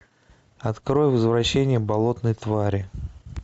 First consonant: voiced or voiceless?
voiceless